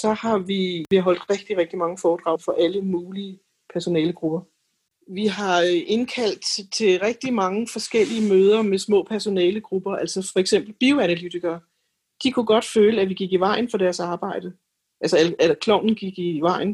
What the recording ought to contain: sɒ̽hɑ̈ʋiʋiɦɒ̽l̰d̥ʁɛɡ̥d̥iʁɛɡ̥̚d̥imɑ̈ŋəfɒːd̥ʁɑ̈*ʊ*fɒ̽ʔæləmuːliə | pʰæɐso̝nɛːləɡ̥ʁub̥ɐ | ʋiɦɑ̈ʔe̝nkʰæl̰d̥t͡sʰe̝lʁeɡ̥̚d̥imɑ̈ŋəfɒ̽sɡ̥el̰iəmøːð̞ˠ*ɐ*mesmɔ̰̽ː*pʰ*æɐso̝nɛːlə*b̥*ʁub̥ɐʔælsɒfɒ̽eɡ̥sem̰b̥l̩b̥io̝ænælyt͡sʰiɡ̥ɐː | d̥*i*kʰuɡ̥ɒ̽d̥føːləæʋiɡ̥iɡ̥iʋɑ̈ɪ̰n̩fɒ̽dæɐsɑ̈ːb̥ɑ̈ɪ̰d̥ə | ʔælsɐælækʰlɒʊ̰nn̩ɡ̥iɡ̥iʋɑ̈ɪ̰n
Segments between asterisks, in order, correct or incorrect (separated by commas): correct, correct, correct, incorrect, correct